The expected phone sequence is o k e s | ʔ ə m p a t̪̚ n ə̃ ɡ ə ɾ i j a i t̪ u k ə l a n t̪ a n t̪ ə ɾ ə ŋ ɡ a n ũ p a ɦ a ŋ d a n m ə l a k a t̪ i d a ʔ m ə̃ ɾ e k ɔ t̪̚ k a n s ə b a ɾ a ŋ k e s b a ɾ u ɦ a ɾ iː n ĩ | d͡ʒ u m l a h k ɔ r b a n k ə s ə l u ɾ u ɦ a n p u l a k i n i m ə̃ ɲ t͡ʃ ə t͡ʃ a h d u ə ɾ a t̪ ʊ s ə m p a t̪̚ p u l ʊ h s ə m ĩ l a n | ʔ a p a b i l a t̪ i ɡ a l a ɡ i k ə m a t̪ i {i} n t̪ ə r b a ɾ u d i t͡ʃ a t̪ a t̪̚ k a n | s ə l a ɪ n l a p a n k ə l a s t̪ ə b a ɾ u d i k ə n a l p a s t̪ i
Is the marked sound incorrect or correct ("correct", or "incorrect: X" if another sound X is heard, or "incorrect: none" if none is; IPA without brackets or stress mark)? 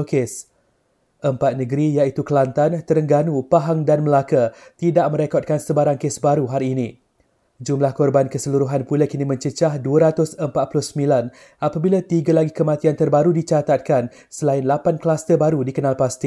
incorrect: a